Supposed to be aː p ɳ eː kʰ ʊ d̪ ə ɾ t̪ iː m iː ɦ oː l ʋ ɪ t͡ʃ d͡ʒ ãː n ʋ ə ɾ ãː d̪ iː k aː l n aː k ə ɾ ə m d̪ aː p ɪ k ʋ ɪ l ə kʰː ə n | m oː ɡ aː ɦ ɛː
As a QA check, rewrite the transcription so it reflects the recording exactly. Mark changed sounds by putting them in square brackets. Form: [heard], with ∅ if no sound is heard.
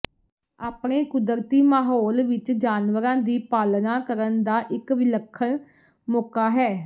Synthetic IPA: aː p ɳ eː [k] ʊ d̪ ə ɾ t̪ iː m [aː] ɦ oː l ʋ ɪ t͡ʃ d͡ʒ [aː] n ʋ ə ɾ ãː d̪ iː [p] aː l n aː k ə ɾ ə [n] d̪ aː [ʔ] ɪ k ʋ ɪ l ə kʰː ə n | m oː [k] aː ɦ ɛː

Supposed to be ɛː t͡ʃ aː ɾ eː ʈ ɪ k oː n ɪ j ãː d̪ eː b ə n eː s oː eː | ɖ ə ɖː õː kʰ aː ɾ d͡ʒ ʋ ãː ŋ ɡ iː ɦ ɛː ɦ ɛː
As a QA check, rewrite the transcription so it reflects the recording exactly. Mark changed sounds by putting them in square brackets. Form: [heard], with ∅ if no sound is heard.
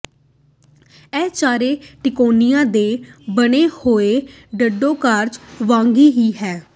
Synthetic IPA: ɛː t͡ʃ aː ɾ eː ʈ ɪ k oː n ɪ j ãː d̪ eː b ə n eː [h] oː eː | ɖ ə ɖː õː [k] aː ɾ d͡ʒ ʋ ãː ŋ ɡ iː ɦ [iː] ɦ ɛː

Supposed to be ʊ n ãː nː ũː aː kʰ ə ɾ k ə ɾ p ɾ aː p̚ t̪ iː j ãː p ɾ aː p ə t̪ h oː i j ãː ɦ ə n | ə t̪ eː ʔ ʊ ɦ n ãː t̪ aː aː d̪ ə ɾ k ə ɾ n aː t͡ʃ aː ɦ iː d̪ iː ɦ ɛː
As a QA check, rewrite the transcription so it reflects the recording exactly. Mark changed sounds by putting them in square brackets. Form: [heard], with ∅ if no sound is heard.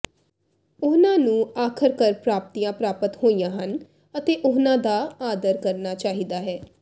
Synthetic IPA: ʊ n ãː [n] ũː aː kʰ ə ɾ k ə ɾ p ɾ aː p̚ t̪ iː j ãː p ɾ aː p ə t̪ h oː i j ãː ɦ ə n | ə t̪ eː ʔ ʊ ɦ n ãː [d̪] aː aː d̪ ə ɾ k ə ɾ n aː t͡ʃ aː ɦ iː d̪ [aː] ɦ ɛː

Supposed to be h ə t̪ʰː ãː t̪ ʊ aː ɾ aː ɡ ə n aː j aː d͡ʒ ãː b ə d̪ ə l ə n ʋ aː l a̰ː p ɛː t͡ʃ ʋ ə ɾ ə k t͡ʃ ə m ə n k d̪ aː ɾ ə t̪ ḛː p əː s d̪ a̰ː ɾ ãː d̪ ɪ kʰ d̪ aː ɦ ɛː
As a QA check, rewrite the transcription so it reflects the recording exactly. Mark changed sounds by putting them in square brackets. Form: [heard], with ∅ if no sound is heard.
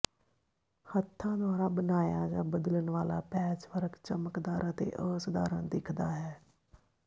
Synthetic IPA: h ə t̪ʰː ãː [d̪] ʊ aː ɾ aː [b] ə n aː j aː d͡ʒ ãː b ə d̪ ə l ə n ʋ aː l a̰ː p ɛː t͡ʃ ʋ ə ɾ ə k t͡ʃ ə m ə [∅] k d̪ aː ɾ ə t̪ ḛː [ʔ] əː s d̪ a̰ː ɾ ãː d̪ ɪ kʰ d̪ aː ɦ ɛː

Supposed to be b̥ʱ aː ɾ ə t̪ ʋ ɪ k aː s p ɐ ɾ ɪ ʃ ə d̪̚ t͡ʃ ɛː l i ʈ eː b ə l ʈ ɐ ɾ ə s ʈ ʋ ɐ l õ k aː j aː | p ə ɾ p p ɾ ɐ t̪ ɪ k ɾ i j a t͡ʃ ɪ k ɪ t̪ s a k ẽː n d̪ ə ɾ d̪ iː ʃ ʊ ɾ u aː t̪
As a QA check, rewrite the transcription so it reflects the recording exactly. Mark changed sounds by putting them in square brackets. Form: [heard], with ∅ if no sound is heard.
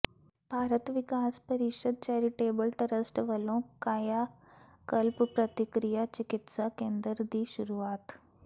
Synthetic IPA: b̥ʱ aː ɾ ə t̪ ʋ ɪ k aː s p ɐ ɾ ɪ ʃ ə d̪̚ t͡ʃ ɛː [ɾ] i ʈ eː b ə l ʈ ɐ ɾ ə s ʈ ʋ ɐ l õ k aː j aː | [k] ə [l] p p ɾ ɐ t̪ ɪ k ɾ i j a t͡ʃ ɪ k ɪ t̪ s a k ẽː n d̪ ə ɾ d̪ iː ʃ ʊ ɾ u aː t̪

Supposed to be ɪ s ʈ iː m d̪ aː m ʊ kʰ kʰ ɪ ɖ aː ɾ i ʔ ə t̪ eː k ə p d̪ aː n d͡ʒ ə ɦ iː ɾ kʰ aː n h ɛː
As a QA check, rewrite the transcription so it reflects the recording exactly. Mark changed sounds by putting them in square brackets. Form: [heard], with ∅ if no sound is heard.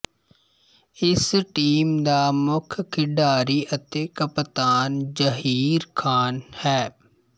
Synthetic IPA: ɪ s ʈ iː m d̪ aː m ʊ kʰ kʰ ɪ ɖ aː ɾ i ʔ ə t̪ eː k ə p [t̪] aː n d͡ʒ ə ɦ iː ɾ kʰ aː n h ɛː

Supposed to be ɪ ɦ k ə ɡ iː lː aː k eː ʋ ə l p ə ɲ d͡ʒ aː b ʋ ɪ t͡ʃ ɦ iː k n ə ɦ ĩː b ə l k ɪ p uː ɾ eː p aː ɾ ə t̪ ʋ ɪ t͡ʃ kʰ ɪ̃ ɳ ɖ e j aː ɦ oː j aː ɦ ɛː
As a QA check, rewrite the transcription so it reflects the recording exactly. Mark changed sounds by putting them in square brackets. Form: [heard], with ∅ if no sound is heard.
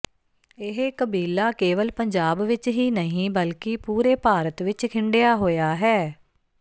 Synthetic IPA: ɪ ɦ k ə [b] iː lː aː k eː ʋ ə l p ə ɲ d͡ʒ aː b ʋ ɪ t͡ʃ ɦ iː [∅] n ə ɦ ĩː b ə l k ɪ p uː ɾ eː p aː ɾ ə t̪ ʋ ɪ t͡ʃ kʰ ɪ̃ ɳ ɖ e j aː ɦ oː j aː ɦ ɛː

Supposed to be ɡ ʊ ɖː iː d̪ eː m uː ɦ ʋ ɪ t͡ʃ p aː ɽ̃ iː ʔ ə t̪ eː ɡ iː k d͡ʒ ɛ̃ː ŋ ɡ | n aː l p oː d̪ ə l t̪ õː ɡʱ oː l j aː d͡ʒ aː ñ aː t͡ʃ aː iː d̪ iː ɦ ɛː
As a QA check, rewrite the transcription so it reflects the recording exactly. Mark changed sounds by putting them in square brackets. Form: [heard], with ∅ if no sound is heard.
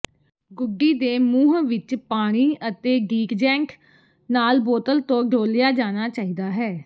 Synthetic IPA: ɡ ʊ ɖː iː d̪ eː m uː ɦ ʋ ɪ t͡ʃ p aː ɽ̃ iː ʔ ə t̪ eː ɡ iː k d͡ʒ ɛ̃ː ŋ [k] | n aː l [b] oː [t̪] ə l t̪ õː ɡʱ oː l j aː d͡ʒ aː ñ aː t͡ʃ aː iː d̪ [aː] ɦ ɛː

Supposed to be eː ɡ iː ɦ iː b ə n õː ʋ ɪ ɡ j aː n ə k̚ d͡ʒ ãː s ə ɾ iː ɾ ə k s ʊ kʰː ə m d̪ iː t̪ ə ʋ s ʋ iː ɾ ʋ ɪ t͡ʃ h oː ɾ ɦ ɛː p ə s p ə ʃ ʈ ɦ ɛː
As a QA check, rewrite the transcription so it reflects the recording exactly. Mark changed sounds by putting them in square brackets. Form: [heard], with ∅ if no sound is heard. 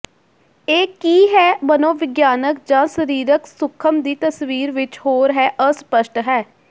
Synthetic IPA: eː [k] iː ɦ [ɛː] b ə n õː ʋ ɪ ɡ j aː n ə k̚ d͡ʒ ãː s ə ɾ iː ɾ ə k s ʊ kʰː ə m d̪ iː t̪ ə [∅] s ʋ iː ɾ ʋ ɪ t͡ʃ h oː ɾ ɦ ɛː [ʔ] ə s p ə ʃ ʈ ɦ ɛː

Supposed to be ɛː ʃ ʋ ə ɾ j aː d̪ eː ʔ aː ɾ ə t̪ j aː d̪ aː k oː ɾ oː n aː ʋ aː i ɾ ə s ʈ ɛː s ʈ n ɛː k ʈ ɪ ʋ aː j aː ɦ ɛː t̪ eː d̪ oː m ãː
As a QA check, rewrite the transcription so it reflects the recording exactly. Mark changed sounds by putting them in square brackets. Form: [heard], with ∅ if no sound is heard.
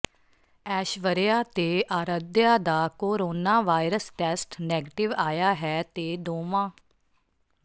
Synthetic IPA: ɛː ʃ ʋ ə ɾ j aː [t̪] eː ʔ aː ɾ ə [d̪] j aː d̪ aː k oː ɾ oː n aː ʋ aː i ɾ ə s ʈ ɛː s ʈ n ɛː [ɡ] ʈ ɪ ʋ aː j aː ɦ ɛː t̪ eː d̪ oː m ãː

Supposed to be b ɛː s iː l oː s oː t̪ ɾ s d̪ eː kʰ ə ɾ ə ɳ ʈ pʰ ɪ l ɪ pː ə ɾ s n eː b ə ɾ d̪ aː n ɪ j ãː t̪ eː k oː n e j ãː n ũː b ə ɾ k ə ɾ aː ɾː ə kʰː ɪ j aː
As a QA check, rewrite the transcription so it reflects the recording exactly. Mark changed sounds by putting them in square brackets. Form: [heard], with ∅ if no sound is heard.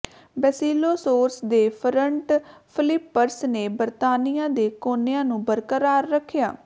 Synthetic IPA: b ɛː s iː l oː s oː [∅] ɾ s d̪ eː [pʰ] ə ɾ ə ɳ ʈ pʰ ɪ l ɪ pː ə ɾ s n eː b ə ɾ [t̪] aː n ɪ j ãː [d̪] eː k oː n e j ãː n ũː b ə ɾ k ə ɾ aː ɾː ə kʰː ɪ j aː

